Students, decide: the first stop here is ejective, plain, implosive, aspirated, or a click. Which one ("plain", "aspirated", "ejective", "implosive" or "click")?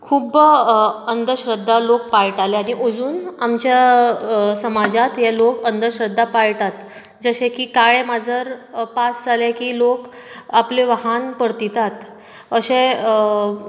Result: aspirated